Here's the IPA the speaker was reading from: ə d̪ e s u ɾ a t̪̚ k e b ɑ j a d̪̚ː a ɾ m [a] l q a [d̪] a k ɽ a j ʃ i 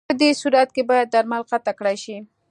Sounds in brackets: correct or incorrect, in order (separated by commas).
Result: correct, incorrect